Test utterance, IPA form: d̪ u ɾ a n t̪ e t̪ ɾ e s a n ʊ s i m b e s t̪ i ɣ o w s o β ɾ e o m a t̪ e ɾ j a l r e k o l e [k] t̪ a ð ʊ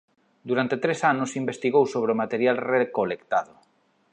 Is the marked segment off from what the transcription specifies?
no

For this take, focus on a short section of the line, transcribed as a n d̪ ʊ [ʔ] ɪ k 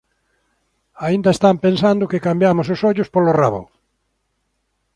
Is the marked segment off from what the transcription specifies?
yes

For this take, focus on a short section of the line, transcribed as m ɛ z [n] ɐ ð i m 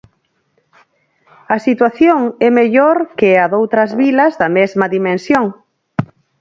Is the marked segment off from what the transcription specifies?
yes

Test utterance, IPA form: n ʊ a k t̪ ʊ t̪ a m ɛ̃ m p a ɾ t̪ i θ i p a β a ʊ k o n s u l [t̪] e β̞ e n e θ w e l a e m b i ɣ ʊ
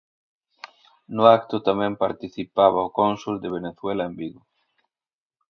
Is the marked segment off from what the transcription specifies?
yes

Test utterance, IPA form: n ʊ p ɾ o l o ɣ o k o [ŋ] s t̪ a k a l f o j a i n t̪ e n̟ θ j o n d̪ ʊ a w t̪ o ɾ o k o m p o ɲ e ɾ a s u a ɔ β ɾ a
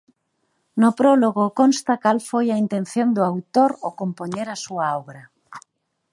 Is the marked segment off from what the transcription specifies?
yes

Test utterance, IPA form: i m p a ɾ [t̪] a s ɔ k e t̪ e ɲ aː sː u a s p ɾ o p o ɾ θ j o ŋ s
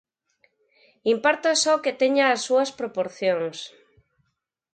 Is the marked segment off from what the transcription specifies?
no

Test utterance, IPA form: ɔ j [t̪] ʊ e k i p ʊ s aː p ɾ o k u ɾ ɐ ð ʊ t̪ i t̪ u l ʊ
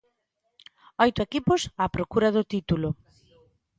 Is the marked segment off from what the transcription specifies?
no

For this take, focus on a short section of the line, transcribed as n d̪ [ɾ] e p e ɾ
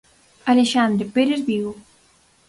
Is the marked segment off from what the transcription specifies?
no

